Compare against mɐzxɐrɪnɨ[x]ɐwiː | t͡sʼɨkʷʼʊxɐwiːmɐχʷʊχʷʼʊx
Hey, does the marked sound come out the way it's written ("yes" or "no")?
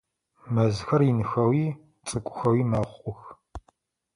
yes